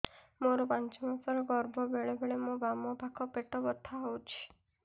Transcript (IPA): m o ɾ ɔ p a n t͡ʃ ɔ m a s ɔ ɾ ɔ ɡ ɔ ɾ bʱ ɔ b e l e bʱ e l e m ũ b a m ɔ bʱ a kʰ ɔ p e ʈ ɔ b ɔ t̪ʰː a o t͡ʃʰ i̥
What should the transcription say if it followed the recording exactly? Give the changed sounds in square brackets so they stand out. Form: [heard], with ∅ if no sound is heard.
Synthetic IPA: m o ɾ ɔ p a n t͡ʃ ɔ m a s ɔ ɾ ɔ ɡ ɔ ɾ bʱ ɔ b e [ɭ] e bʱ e [ɭ] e m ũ b a m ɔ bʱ a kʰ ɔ p e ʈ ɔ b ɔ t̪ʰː a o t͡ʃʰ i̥